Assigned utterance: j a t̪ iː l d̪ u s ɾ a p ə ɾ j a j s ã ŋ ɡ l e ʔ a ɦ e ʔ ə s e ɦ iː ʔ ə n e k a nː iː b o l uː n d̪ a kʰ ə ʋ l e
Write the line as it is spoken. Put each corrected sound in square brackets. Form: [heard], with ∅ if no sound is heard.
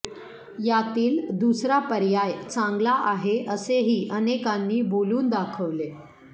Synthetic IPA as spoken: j a t̪ iː l d̪ u s ɾ a p ə ɾ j a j [t͡s] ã ŋ ɡ l [a] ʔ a ɦ e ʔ ə s e ɦ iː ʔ ə n e k a nː iː b o l uː n d̪ a kʰ ə ʋ l e